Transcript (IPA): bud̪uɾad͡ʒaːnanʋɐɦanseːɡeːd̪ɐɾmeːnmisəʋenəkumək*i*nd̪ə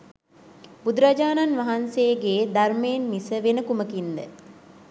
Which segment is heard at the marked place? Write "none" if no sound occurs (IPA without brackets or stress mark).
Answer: i